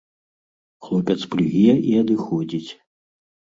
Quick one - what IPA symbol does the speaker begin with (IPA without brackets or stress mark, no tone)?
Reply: x